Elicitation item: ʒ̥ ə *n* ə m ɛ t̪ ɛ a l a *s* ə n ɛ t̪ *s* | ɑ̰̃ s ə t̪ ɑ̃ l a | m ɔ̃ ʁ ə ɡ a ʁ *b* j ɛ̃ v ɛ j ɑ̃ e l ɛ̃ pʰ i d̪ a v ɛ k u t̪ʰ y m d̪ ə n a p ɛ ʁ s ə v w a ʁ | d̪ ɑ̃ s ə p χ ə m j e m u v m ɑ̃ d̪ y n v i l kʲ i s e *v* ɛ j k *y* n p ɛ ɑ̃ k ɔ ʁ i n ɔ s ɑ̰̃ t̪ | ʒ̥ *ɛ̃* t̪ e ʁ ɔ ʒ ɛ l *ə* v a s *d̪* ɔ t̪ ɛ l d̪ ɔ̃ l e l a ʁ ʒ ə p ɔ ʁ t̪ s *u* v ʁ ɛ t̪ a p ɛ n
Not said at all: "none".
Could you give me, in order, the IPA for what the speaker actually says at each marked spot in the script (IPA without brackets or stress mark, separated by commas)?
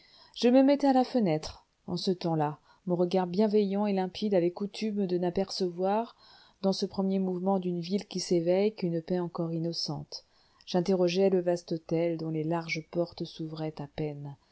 m, f, χ, b, v, y, ɛ̃, ə, t̪, u